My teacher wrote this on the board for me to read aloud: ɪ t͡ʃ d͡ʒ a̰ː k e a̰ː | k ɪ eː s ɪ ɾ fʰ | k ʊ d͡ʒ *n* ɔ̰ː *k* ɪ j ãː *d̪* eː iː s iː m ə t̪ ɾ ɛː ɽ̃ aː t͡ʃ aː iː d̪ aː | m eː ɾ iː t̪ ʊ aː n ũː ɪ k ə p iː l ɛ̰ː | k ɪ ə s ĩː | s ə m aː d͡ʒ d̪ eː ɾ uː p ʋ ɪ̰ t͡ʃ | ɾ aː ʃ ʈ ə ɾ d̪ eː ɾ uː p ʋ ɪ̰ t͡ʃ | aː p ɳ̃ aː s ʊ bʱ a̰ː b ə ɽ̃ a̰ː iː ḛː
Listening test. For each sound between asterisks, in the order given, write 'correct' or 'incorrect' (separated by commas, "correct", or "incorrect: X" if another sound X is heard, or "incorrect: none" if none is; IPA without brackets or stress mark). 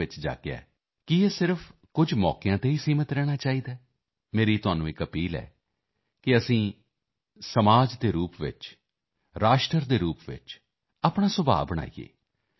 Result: incorrect: m, correct, incorrect: t̪